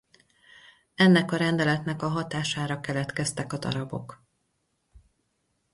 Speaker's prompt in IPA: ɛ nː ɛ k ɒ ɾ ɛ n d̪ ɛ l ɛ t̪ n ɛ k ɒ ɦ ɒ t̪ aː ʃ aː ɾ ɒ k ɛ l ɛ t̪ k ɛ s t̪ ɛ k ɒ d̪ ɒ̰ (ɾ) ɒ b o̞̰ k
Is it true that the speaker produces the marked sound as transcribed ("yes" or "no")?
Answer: yes